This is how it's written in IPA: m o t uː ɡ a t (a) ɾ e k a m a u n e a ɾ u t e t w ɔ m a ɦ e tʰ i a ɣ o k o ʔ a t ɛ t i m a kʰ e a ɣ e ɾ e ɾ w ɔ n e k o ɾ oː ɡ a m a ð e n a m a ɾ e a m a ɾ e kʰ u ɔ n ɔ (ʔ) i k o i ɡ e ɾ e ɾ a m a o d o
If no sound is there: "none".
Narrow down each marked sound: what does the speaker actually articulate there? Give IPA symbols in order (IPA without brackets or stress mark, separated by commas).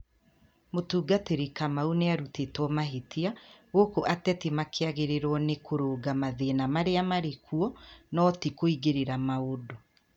e, t